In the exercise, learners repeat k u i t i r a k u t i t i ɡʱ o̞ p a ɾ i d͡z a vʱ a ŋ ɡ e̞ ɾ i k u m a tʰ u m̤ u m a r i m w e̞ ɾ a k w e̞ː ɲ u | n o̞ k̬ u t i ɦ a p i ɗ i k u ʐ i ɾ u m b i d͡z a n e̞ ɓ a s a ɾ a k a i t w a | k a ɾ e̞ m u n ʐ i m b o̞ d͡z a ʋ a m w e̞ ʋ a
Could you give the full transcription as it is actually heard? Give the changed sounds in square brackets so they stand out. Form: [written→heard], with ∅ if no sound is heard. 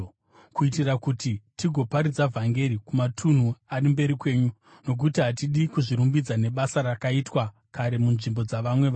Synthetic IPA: k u i t i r a k u t i t i ɡʱ o̞ p a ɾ i d͡z a vʱ a ŋ ɡ e̞ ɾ i k u m a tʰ u [m̤→n̤] u [m→∅] a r i m [w→b] e̞ ɾ [a→i] k w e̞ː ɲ u | n o̞ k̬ u t i ɦ a [p→t] i ɗ i k u ʐ i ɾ u m b i d͡z a n e̞ ɓ a s a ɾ a k a i t w a | k a ɾ e̞ m u n ʐ i m b o̞ d͡z a ʋ a m w e̞ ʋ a